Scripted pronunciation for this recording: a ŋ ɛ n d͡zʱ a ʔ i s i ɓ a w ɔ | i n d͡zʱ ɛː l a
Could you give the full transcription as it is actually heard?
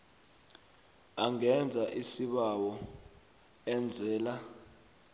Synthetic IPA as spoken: a ŋ ɛ n d͡zʱ a ʔ i s i ɓ a w ɔ | ɛ n d͡zʱ ɛː l a